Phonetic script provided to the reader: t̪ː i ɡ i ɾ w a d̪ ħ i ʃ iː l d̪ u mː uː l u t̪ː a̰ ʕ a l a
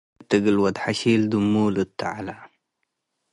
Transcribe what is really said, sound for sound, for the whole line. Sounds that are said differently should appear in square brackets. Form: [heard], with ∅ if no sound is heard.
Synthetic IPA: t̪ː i ɡ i [l] w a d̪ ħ [a] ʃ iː l d̪ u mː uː l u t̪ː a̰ ʕ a l a

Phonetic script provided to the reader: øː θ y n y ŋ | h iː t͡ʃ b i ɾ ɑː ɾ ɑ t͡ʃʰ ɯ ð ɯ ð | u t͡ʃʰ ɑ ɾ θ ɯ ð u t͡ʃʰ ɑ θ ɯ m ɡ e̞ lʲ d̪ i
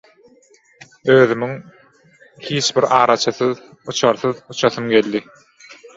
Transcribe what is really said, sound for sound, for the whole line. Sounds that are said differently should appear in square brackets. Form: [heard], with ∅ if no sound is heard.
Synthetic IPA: øː [ð] y [m] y ŋ | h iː t͡ʃ b i ɾ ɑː ɾ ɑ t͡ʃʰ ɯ [θ] ɯ ð | u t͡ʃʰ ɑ ɾ θ ɯ ð u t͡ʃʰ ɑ θ ɯ m ɡ e̞ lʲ d̪ i

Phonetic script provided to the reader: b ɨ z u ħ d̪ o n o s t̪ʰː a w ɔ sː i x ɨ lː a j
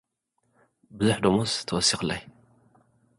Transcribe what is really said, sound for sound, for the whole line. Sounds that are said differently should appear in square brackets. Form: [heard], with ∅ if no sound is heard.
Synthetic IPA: b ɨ z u ħ d̪ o [m] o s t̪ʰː [ɐ] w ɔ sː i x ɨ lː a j

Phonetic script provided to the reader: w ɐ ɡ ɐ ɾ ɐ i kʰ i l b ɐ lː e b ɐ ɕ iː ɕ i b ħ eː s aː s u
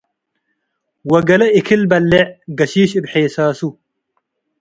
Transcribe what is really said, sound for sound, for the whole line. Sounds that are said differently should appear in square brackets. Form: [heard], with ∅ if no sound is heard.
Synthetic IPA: w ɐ ɡ ɐ [l] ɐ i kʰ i l b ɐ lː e [ɡ] ɐ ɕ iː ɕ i b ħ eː s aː s u

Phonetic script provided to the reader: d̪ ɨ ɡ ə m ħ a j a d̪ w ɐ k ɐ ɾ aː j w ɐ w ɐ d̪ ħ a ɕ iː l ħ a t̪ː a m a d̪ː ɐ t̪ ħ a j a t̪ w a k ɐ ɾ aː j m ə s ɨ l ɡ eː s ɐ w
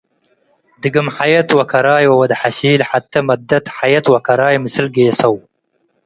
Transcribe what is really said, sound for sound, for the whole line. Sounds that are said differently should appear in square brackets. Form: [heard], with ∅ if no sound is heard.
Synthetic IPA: d̪ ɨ ɡ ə m ħ a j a [t̪] w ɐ k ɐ ɾ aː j w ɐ w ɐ d̪ ħ a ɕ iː l ħ a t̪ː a m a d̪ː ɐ t̪ ħ a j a t̪ w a k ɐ ɾ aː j m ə s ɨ l ɡ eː s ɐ w

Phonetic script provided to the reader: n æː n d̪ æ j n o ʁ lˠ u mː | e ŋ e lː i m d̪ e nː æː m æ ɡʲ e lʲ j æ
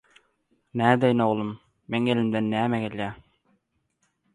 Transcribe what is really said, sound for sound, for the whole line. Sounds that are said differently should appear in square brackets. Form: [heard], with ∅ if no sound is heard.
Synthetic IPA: n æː [∅] d̪ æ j n o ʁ lˠ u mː | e ŋ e [l] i m d̪ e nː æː m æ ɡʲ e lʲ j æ

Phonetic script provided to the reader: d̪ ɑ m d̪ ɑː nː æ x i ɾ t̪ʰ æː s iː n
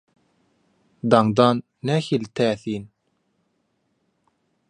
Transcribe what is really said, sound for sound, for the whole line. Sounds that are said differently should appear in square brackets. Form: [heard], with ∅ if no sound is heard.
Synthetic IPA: d̪ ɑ [ŋ] d̪ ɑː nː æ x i [l] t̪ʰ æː [θ] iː n

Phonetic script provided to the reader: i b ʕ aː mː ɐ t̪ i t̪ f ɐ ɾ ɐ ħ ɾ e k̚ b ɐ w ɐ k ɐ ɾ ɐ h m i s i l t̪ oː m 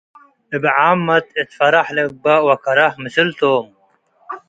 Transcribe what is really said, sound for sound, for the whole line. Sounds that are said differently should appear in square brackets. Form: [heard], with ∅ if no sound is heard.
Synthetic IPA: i b ʕ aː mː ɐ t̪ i t̪ f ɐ ɾ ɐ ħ [l] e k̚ b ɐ w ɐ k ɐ ɾ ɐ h m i s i l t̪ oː m

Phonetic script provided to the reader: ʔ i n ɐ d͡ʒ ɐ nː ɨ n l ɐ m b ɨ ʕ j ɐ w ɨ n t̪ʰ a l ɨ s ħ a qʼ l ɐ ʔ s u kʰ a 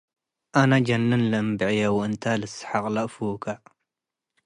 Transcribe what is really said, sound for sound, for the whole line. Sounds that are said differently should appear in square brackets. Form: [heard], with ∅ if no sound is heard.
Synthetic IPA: ʔ [a] n [a] d͡ʒ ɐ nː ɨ n l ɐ m b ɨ ʕ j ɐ w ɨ n t̪ʰ a l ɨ s ħ a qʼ l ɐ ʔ [f] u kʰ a

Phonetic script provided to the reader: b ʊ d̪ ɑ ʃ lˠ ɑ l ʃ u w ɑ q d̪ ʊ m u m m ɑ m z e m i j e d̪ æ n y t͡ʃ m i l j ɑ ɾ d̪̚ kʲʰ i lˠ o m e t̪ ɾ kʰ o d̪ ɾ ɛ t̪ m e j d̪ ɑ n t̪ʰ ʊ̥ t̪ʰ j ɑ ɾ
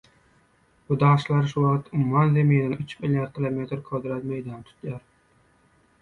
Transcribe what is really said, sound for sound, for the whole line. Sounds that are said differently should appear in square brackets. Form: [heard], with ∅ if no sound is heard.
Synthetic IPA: b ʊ d̪ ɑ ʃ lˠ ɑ [ɾ] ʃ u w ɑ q [t̪] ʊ m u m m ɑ [n] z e m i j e d̪ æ n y t͡ʃ m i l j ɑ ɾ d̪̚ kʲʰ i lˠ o m e t̪ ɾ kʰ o d̪ ɾ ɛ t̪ m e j d̪ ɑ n t̪ʰ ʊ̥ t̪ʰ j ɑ ɾ

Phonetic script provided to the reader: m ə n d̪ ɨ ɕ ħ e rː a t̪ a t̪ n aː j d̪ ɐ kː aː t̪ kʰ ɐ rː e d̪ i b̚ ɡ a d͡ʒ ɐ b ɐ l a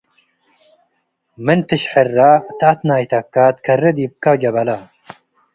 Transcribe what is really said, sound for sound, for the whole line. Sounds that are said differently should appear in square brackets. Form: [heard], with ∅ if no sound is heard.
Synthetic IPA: m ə n [t̪] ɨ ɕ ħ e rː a t̪ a t̪ n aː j [t̪] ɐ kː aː t̪ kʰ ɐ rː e d̪ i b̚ [k] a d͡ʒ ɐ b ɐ l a

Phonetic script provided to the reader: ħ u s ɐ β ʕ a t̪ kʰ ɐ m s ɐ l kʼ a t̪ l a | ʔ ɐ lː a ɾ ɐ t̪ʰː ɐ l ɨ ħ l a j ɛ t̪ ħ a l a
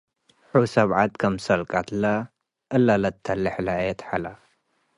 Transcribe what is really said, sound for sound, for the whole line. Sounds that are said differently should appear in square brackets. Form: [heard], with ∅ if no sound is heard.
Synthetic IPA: ħ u s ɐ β ʕ a t̪ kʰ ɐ m s ɐ l kʼ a t̪ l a | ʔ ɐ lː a [l] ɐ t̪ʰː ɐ l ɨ ħ l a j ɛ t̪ ħ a l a

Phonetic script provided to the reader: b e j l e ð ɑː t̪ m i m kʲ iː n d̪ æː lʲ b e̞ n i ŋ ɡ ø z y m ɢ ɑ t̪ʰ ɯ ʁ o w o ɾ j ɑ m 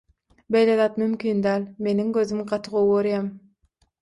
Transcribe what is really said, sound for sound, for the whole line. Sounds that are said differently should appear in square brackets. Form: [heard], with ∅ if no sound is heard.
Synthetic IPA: b e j l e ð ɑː t̪ m [y] m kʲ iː n d̪ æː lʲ [m] e̞ n i ŋ ɡ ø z y m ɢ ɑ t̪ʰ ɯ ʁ o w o ɾ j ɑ m

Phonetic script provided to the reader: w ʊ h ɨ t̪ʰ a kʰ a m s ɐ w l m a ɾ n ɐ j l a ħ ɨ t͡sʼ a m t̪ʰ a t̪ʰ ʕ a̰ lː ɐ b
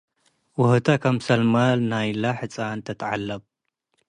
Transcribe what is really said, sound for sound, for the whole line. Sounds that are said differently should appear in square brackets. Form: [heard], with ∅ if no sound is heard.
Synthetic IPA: w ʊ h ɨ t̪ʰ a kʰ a m s ɐ [∅] l m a [l] n [a] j l a ħ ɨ t͡sʼ a [n] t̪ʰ [ɐ] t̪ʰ ʕ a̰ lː ɐ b

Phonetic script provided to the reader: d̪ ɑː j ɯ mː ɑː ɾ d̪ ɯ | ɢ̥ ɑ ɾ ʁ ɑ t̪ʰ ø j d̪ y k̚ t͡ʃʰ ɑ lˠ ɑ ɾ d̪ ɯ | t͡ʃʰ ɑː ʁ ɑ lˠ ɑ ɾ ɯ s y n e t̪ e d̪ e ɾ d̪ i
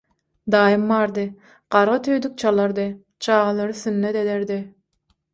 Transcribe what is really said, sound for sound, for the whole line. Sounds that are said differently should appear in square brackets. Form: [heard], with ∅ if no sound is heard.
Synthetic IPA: d̪ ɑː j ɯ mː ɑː ɾ d̪ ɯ | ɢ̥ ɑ ɾ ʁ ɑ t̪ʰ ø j d̪ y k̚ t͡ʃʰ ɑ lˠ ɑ ɾ d̪ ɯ | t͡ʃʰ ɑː ʁ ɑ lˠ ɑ ɾ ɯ s y [nː] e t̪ e d̪ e ɾ d̪ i

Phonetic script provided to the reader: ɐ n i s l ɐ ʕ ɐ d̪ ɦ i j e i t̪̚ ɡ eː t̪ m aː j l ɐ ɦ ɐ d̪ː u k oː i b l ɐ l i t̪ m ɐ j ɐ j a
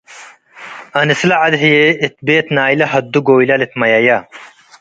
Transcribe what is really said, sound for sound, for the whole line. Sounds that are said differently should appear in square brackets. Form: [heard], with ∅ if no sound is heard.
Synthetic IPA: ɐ n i s l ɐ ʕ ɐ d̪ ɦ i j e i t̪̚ [b] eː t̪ [n] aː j l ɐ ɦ ɐ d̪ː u [ɡ] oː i [∅] l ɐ l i t̪ m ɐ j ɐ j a

